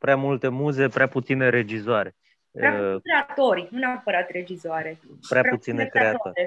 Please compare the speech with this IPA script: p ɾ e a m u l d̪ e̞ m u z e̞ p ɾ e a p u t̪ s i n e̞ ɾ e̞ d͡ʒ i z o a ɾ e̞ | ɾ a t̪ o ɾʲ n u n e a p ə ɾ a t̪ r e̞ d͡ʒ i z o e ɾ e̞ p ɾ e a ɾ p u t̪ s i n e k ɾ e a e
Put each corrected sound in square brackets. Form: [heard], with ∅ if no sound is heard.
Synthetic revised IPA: p ɾ e a m u l [t̪] e̞ m u z e̞ p ɾ e a p u t̪ s i n e̞ ɾ e̞ d͡ʒ i z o a ɾ e̞ | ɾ a t̪ o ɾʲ n u n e a p ə ɾ a t̪ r e̞ d͡ʒ i z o [a] ɾ e̞ p ɾ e a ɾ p u t̪ s i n e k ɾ e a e